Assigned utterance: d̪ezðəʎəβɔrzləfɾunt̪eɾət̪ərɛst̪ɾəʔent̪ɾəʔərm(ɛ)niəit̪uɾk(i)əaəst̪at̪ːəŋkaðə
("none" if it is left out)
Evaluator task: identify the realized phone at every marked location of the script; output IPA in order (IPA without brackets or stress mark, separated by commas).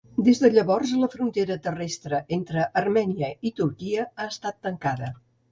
ɛ, i